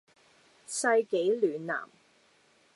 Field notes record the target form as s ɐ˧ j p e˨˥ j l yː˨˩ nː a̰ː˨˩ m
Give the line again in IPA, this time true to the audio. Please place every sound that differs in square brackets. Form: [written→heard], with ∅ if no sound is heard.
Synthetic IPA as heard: s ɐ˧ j [p→k] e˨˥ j l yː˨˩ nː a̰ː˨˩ m